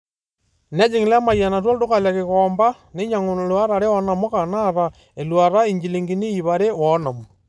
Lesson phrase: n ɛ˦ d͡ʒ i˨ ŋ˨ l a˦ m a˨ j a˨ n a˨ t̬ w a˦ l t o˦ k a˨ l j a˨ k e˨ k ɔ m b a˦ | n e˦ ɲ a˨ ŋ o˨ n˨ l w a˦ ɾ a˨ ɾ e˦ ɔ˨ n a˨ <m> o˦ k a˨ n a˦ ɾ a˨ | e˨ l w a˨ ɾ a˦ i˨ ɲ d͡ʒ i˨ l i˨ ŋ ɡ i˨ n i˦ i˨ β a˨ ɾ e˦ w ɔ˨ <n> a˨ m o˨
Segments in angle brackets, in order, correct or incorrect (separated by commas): correct, correct